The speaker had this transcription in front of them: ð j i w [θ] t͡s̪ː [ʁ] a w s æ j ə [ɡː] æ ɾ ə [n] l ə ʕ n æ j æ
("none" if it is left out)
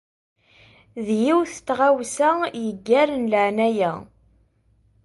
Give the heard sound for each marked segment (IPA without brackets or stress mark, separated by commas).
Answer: θ, ʁ, ɡː, n